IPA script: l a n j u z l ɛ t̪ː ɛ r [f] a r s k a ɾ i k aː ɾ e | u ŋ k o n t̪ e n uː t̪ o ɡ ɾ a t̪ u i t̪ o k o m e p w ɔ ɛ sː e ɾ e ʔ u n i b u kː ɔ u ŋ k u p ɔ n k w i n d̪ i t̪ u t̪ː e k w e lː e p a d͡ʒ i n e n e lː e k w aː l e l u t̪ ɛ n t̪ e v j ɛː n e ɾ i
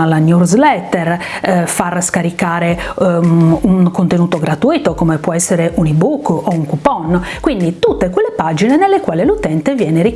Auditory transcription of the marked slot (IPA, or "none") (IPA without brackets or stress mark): f